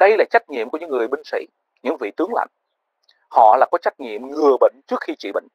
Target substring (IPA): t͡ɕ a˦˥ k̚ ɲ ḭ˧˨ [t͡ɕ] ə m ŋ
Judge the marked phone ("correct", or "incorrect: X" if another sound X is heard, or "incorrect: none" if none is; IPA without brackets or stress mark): incorrect: none